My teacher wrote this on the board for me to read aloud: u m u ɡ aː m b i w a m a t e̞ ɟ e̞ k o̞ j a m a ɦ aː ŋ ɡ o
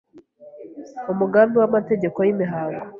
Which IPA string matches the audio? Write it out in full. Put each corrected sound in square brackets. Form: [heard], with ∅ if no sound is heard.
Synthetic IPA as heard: u m u ɡ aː m b i w a m a t e̞ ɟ e̞ k o̞ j [i] m [i] ɦ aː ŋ ɡ o